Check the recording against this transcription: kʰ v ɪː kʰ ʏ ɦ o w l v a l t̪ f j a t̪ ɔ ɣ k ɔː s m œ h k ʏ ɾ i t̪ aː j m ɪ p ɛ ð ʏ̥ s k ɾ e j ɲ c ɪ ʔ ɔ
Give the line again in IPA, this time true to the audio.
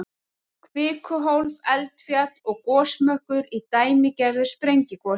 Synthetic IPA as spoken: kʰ v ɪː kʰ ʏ ɦ o w l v ɛ l t̪ f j a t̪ ɔ ɣ k ɔː s m œ h k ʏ ɾ i t̪ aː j m ɪ c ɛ ð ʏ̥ s p ɾ e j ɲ c ɪ k ɔ